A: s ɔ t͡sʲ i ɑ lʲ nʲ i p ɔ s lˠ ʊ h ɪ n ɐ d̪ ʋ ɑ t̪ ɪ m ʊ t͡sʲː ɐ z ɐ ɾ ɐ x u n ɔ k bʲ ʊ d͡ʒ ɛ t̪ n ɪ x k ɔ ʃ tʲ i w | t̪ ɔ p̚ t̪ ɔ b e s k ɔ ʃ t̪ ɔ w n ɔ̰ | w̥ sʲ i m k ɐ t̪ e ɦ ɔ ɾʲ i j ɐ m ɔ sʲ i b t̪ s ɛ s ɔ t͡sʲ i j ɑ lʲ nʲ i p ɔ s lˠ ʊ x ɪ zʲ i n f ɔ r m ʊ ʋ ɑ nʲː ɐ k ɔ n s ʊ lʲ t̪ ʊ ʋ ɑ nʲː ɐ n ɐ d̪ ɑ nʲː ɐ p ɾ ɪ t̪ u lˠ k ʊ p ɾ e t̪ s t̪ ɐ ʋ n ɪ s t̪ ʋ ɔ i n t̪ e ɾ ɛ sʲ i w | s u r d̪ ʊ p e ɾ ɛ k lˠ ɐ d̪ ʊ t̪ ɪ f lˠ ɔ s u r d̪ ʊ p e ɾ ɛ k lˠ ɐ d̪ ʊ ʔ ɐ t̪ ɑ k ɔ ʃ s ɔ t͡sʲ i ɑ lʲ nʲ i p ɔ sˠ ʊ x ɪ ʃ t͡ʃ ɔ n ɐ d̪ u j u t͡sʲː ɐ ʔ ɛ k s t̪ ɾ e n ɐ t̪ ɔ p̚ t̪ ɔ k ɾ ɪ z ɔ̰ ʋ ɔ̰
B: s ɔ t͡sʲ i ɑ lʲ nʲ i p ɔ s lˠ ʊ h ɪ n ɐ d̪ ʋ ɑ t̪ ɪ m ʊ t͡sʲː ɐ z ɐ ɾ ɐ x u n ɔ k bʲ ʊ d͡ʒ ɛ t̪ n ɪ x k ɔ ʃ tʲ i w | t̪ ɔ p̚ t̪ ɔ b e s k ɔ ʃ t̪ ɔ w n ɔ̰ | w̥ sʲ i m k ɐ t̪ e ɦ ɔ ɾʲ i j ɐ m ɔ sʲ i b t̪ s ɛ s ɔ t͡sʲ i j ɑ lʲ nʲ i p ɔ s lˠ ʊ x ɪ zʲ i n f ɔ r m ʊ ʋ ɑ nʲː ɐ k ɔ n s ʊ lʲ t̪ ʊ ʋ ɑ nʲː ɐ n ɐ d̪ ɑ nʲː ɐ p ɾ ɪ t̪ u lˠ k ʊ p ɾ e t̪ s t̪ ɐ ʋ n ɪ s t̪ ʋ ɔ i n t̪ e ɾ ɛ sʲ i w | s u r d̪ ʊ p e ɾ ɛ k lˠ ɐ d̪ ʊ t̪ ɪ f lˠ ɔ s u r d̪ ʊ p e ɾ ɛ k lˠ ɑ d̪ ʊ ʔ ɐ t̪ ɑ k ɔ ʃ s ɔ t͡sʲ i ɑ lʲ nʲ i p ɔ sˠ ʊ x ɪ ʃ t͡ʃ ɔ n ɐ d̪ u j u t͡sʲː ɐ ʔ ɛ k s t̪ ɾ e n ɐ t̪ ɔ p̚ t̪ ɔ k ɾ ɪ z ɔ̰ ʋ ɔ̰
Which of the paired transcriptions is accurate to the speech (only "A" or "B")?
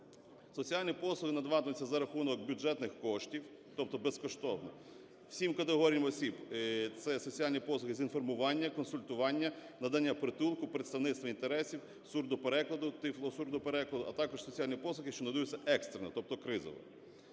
A